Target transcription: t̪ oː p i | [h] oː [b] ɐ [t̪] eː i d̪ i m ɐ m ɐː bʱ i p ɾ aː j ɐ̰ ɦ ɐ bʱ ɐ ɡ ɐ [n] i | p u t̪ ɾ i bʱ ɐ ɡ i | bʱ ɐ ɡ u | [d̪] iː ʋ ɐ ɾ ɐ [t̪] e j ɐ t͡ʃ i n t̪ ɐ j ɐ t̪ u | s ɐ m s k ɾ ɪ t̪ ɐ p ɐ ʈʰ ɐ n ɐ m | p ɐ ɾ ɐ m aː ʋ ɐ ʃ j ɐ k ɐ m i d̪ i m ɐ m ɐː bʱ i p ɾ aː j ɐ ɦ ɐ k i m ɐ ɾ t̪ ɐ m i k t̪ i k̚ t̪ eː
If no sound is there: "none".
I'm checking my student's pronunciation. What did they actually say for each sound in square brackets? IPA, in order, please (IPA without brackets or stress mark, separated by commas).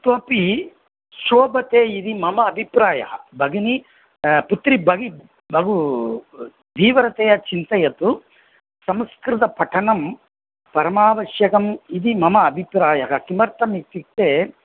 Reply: ʃ, b, t̪, n, d̪, t̪